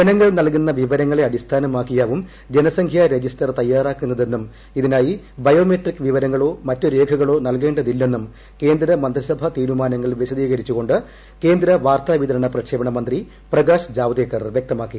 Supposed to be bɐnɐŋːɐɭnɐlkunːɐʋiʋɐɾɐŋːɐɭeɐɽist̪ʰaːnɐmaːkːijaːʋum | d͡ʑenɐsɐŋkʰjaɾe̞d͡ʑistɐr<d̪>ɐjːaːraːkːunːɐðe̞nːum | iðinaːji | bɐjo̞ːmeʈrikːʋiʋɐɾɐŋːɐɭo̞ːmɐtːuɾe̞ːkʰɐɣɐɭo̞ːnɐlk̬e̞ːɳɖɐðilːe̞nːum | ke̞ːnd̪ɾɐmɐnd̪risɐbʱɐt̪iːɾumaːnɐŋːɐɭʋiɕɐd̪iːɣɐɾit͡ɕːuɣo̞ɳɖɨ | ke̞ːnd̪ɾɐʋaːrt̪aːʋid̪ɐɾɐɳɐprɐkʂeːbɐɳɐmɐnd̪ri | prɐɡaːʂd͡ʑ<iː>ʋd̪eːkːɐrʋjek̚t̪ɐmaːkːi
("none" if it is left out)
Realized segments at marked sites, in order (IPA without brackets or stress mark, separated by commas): t̪, aː